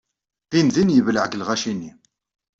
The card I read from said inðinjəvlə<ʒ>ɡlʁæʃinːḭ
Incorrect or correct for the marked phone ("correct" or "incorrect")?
incorrect